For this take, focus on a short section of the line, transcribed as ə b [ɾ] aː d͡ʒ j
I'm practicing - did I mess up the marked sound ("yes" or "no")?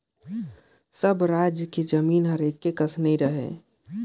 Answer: no